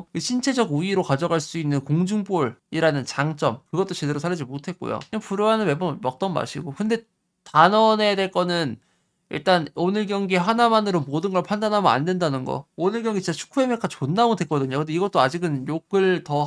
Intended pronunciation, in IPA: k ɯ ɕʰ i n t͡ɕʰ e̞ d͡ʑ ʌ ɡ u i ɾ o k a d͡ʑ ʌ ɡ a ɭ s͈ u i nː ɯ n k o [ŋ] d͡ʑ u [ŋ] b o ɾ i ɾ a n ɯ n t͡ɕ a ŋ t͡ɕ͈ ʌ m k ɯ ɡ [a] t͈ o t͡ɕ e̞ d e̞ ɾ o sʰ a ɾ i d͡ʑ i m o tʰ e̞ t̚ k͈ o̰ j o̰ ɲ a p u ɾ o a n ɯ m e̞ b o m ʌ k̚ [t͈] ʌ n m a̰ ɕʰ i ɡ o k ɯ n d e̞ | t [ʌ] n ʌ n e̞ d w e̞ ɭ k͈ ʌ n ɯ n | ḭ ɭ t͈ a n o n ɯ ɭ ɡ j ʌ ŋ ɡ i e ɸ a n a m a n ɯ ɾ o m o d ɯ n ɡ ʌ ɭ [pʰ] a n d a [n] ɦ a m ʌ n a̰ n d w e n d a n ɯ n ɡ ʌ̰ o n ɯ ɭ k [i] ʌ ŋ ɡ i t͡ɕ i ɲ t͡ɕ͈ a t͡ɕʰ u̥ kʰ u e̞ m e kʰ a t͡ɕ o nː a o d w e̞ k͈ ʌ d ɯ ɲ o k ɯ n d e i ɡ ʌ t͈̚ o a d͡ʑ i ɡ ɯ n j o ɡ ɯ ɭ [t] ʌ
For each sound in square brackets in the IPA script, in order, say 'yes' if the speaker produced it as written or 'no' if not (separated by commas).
yes, yes, no, yes, no, yes, yes, no, yes